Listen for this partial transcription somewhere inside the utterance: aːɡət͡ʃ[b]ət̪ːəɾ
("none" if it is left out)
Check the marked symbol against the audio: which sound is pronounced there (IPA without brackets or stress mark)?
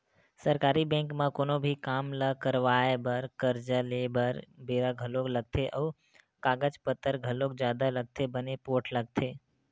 p